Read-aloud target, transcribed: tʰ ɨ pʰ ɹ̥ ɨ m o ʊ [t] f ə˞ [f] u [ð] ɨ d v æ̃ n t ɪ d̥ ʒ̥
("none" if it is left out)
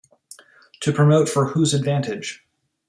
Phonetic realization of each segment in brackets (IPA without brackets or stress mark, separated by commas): t, h, z